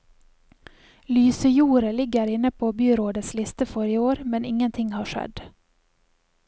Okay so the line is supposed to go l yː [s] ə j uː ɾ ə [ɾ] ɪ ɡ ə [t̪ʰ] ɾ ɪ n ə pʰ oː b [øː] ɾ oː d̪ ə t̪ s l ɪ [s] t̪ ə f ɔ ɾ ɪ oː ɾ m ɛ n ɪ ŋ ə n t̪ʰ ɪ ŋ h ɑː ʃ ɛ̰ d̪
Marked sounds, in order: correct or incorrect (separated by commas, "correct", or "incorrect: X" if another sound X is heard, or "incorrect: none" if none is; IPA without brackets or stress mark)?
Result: correct, incorrect: l, incorrect: none, incorrect: yː, correct